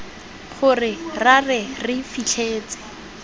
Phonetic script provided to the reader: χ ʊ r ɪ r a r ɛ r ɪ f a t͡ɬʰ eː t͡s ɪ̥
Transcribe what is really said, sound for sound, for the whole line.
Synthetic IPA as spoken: χ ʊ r ɪ r a r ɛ r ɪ f i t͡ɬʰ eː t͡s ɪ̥